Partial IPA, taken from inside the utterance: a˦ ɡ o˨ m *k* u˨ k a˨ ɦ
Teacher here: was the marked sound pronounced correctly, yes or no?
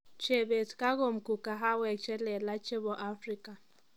yes